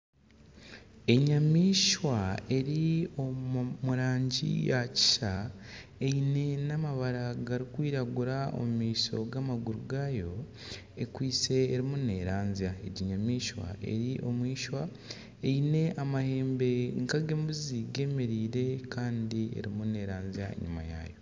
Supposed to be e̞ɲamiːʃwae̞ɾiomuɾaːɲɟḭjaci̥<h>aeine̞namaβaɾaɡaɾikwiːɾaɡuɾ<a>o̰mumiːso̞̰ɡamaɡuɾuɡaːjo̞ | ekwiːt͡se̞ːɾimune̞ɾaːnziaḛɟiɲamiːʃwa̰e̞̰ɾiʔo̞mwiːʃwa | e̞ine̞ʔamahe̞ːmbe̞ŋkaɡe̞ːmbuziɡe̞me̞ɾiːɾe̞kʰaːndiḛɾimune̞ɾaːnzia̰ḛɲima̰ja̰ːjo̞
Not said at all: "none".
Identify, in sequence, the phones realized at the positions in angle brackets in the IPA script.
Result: ʃ, a

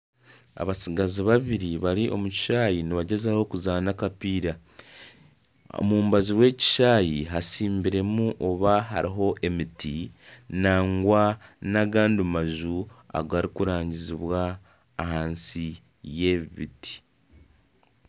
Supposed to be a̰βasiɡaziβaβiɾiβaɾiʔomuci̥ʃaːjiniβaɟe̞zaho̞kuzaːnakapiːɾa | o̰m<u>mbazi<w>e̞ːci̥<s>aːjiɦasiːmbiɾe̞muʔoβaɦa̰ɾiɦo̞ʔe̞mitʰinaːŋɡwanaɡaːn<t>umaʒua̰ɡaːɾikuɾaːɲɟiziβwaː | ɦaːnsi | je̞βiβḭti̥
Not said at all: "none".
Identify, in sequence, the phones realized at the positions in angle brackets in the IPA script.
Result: uː, w, ʃ, d

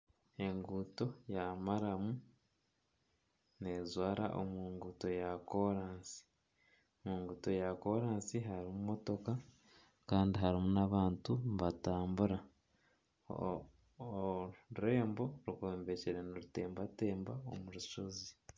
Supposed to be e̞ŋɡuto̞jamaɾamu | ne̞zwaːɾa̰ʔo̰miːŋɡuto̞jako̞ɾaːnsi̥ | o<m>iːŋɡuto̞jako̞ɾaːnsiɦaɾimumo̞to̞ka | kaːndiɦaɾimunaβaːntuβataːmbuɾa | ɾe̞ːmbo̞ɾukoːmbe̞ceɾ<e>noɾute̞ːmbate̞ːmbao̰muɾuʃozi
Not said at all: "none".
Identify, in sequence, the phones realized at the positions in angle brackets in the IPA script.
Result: m, e

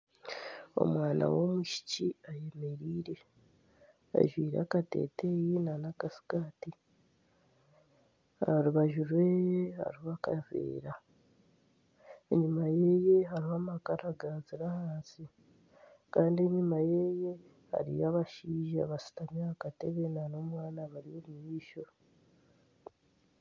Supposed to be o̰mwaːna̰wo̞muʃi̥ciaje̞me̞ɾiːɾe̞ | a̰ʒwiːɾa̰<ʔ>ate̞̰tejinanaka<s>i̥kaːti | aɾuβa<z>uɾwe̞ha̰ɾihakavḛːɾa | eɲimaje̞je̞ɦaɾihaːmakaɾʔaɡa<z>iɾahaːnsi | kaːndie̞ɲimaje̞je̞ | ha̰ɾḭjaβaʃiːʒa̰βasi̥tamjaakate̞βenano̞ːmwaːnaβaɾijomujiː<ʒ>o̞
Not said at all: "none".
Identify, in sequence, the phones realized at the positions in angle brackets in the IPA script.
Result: k, s, ʒ, z, ʃ

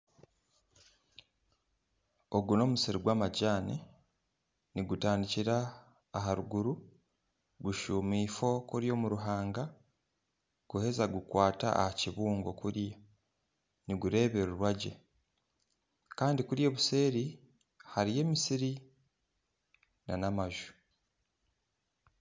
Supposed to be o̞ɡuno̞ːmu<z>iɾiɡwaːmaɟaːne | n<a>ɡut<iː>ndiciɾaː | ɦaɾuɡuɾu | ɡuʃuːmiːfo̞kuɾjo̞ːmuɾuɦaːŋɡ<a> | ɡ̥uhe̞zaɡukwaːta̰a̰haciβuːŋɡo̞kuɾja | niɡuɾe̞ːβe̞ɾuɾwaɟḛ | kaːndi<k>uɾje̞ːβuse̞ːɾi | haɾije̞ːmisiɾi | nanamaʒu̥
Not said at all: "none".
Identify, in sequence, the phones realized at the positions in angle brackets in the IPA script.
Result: s, i, aː, a, k

